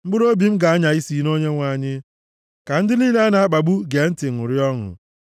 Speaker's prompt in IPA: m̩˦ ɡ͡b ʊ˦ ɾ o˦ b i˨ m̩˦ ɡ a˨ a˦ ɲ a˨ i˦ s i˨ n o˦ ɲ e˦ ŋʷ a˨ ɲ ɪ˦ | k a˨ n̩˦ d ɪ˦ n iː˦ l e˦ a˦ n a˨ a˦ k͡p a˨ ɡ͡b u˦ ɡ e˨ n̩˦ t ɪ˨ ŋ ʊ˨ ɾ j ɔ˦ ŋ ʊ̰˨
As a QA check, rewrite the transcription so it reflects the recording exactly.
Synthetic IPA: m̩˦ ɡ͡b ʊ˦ ɾ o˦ b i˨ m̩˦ ɡ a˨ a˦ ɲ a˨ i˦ s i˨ n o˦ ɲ e˦ ŋʷ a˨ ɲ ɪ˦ | k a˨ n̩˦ d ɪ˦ n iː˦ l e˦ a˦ n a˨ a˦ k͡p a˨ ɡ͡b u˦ ɡ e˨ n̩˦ t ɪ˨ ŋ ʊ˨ ɾ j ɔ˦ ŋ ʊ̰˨